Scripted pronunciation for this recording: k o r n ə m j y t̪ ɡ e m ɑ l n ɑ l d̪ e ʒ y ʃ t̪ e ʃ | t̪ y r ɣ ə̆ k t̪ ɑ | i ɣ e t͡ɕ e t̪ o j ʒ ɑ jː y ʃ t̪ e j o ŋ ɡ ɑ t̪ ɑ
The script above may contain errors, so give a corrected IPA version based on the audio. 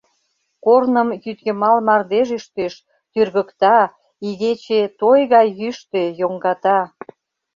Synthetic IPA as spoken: k o r n ə m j y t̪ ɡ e m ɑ l m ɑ r d̪ e ʒ y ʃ t̪ e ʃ | t̪ y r ɣ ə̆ k t̪ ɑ | i ɣ e t͡ɕ e t̪ o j ɣ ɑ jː y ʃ t̪ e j o ŋ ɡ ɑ t̪ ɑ